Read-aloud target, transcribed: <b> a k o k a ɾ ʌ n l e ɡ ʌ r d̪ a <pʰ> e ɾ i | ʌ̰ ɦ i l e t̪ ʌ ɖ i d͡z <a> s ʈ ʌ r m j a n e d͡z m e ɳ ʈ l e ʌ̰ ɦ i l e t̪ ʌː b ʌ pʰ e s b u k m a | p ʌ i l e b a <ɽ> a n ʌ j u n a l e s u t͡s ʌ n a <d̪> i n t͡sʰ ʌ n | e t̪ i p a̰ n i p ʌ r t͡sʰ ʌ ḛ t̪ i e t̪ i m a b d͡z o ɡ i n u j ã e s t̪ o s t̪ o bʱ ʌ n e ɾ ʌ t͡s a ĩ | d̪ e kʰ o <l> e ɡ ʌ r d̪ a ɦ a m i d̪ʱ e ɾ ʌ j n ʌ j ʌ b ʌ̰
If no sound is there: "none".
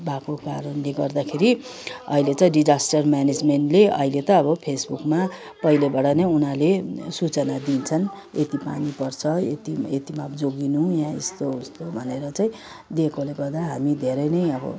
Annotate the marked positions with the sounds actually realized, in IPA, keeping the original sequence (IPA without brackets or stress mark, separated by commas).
b, kʰ, a, ɽ, d̪, l